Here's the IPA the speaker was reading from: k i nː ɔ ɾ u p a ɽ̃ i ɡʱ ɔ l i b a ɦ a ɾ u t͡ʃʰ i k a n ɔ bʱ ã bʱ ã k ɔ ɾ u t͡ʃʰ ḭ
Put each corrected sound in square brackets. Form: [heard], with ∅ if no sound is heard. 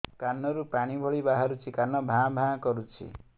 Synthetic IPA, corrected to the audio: k [a] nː ɔ ɾ u p a ɽ̃ i [bʱ] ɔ [ɭ] i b a ɦ a ɾ u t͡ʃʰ i k a n ɔ bʱ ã bʱ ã k ɔ ɾ u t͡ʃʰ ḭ